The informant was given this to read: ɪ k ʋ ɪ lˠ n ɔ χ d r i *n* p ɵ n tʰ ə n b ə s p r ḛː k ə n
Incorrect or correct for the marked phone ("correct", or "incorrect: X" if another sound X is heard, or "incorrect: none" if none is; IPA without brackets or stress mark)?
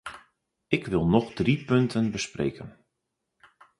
incorrect: none